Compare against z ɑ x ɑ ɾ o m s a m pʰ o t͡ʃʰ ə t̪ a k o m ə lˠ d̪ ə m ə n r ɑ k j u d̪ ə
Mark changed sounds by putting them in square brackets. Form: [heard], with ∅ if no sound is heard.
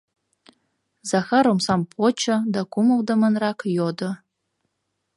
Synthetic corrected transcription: z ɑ x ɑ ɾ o m s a m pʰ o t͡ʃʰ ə [d̪] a k [u] m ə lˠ d̪ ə m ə n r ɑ k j [o] d̪ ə